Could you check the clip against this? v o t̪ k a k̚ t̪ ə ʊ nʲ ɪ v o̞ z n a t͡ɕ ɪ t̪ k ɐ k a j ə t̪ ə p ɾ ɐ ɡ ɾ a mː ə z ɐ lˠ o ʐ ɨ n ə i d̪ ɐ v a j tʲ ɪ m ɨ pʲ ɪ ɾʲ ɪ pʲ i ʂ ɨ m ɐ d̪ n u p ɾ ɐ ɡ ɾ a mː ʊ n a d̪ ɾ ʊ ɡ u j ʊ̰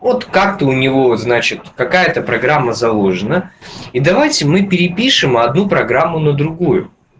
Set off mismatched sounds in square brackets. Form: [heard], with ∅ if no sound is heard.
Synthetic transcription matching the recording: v o t̪ k a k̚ t̪ ə ʊ nʲ ɪ v o̞ z n a t͡ɕ ɪ t̪ k ɐ k a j ə t̪ ə p ɾ ɐ ɡ ɾ a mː ə z ɐ lˠ o ʐ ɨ n ə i d̪ ɐ v a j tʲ ɪ m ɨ pʲ ɪ ɾʲ ɪ pʲ i ʂ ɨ m ɐ d̪ n u p ɾ ɐ ɡ ɾ a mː ʊ n [ə] d̪ ɾ ʊ ɡ u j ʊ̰